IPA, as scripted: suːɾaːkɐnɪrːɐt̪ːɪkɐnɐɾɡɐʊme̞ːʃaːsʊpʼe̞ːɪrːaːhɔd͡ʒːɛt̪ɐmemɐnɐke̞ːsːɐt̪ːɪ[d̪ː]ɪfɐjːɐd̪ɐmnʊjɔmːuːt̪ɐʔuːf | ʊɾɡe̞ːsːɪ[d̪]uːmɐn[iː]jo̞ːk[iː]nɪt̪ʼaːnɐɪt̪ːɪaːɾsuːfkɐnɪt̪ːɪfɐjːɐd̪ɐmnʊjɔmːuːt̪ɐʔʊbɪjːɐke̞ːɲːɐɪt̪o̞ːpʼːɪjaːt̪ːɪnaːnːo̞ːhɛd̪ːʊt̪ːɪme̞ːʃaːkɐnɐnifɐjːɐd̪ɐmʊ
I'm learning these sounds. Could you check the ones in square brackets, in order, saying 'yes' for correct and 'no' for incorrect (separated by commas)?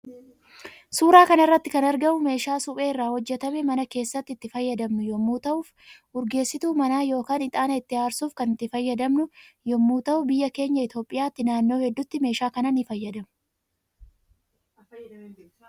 no, no, no, no